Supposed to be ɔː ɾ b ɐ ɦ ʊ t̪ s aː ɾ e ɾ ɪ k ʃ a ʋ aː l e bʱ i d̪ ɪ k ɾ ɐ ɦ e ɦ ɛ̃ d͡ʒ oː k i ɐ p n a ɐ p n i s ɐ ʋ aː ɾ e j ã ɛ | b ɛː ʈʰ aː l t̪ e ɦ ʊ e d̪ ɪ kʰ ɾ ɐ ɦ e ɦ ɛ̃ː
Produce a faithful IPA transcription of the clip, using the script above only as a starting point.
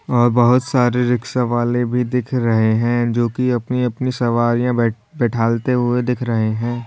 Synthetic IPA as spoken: ɔː ɾ b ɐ ɦ ʊ t̪ s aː ɾ e ɾ ɪ k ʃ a ʋ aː l e bʱ i d̪ ɪ kʰ ɾ ɐ ɦ e ɦ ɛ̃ d͡ʒ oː k i ɐ p n i ɐ p n i s ɐ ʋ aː ɾ i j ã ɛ | b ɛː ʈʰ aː l t̪ e ɦ ʊ e d̪ ɪ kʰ ɾ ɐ ɦ e ɦ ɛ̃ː

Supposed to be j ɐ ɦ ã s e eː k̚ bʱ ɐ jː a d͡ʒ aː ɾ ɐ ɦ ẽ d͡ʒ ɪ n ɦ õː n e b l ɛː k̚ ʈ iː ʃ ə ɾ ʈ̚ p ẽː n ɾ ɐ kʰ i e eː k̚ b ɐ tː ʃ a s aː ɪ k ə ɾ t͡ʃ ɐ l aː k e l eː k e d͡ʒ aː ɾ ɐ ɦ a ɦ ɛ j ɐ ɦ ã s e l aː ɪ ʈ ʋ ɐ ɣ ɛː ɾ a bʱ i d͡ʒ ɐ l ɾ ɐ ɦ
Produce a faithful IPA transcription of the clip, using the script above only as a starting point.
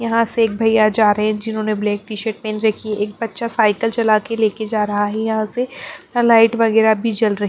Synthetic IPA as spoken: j ɐ ɦ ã s e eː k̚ bʱ ɐ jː a d͡ʒ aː ɾ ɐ ɦ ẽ d͡ʒ ɪ n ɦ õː n e b l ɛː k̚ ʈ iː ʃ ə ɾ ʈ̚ p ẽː n ɾ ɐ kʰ i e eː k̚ b ɐ tː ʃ a s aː ɪ k ə l t͡ʃ ɐ l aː k e l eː k e d͡ʒ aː ɾ ɐ ɦ a ɦ ɛ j ɐ ɦ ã s e l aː ɪ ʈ ʋ ɐ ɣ ɛː ɾ a bʱ i d͡ʒ ɐ l ɾ ɐ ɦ

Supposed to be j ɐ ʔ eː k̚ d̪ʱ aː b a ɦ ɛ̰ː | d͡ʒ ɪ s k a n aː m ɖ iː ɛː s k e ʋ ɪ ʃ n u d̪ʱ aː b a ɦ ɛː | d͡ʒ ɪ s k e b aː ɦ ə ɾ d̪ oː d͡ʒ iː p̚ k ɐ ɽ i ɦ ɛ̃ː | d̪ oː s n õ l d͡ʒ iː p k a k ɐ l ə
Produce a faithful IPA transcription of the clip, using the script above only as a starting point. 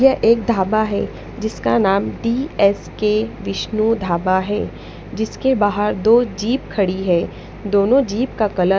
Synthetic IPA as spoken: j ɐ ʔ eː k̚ d̪ʱ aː b a ɦ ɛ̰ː | d͡ʒ ɪ s k a n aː m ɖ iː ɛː s k e ʋ ɪ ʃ n u d̪ʱ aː b a ɦ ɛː | d͡ʒ ɪ s k e b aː ɦ ə ɾ d̪ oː d͡ʒ iː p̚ kʰ ɐ ɽ i ɦ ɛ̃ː | d̪ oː n õ d͡ʒ iː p k a k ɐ l ə

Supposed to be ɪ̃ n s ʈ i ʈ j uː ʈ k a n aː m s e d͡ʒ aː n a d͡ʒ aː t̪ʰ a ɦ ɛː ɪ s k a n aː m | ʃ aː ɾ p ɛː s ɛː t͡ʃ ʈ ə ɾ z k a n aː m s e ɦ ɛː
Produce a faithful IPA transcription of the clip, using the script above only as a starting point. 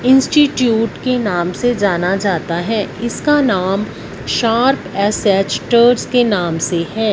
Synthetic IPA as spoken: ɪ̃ n s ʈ i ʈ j uː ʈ k e n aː m s e d͡ʒ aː n a d͡ʒ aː t̪ a ɦ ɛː ɪ s k a n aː m | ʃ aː ɾ p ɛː s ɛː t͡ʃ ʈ ə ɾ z k e n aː m s e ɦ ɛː

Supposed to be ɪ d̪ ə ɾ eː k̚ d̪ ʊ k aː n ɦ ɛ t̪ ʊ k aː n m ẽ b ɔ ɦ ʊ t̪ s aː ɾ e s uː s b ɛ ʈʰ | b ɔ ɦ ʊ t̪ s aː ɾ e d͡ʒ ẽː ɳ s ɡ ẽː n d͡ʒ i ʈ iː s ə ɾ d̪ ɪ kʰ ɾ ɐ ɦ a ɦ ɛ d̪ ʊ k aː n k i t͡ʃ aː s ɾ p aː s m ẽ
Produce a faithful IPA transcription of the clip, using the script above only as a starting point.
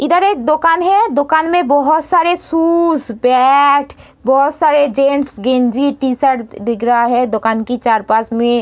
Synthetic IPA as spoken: ɪ d̪ ə ɾ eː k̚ d̪ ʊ k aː n ɦ ɛ d̪ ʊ k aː n m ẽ b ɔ ɦ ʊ t̪ s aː ɾ e s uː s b ɛ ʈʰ | b ɔ ɦ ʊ t̪ s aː ɾ e d͡ʒ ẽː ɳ s ɡ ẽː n d͡ʒ i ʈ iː s ə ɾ d̪ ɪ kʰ ɾ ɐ ɦ a ɦ ɛ d̪ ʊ k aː n k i t͡ʃ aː ɾ p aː s m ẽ

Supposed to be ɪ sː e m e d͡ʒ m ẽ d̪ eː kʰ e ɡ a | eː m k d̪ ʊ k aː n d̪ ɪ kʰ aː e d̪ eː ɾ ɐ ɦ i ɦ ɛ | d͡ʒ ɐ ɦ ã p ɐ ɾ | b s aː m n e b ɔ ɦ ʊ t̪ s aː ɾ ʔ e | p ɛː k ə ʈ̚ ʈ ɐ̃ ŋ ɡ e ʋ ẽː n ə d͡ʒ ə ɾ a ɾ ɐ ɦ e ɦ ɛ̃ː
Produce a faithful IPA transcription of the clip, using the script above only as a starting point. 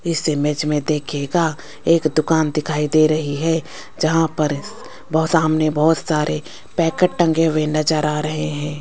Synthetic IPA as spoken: ɪ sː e m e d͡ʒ m ẽ d̪ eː kʰ e ɡ a | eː k d̪ ʊ k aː n d̪ ɪ kʰ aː i d̪ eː ɾ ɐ ɦ i ɦ ɛ | d͡ʒ ɐ ɦ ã p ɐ ɾ | b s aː m n e b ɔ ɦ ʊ t̪ s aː ɾ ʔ e | p ɛː k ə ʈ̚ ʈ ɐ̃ ŋ ɡ e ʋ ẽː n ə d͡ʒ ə ɾ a ɾ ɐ ɦ e ɦ ɛ̃ː

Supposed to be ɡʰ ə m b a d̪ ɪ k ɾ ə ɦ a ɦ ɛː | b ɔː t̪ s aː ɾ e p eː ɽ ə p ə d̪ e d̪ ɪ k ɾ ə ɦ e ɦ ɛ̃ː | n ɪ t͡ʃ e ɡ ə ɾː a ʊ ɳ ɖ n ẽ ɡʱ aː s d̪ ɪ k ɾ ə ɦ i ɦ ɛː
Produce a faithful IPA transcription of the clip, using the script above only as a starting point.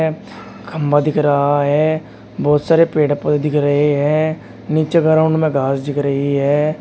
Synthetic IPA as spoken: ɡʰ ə m b a d̪ ɪ k ɾ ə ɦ a ɦ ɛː | b ɔː t̪ s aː ɾ e p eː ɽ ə p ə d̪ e d̪ ɪ k ɾ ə ɦ e ɦ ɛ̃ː | n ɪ t͡ʃ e ɡ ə ɾ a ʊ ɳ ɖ m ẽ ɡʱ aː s d̪ ɪ k ɾ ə ɦ i ɦ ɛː

